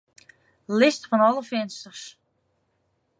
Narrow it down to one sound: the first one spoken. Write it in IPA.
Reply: l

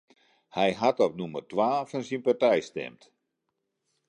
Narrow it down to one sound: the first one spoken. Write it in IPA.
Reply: h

